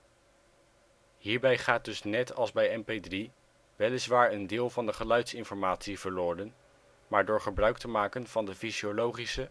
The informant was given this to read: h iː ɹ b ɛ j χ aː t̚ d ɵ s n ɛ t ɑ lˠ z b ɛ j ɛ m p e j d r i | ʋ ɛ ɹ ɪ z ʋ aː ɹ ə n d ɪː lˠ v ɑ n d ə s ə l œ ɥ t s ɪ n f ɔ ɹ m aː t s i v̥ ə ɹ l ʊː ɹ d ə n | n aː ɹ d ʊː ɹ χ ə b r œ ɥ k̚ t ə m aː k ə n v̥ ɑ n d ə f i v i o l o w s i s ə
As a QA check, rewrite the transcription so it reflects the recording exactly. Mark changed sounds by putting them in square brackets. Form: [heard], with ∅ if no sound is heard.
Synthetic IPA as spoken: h iː ɹ b ɛ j χ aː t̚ d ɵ s n ɛ t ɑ lˠ z b ɛ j ɛ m p e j d r i | ʋ ɛ [l] ɪ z ʋ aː ɹ ə n d ɪː lˠ v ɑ n d ə [χ] ə l œ ɥ t s ɪ n f ɔ ɹ m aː t s i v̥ ə ɹ l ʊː ɹ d ə n | [m] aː ɹ d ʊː ɹ χ ə b r œ ɥ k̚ t ə m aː k ə n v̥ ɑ n d ə f i [z] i o l o w [χ] i s ə